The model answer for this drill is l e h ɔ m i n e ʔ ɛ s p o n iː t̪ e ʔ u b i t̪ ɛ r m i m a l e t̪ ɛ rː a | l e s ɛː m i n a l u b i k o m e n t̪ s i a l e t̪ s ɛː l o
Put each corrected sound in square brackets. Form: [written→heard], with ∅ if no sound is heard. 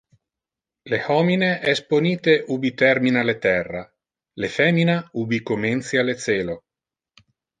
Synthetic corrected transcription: l e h ɔ m i n e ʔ ɛ s p o n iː t̪ e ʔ u b i t̪ ɛ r m i [m→n] a l e t̪ ɛ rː a | l e [s→f] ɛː m i n a [l→∅] u b i k o m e n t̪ s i a l e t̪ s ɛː l o